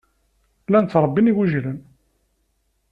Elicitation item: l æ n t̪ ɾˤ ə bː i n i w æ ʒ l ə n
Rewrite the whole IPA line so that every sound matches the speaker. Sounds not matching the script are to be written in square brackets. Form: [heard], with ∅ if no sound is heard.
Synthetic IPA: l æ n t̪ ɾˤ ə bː i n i w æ ʒ l ə n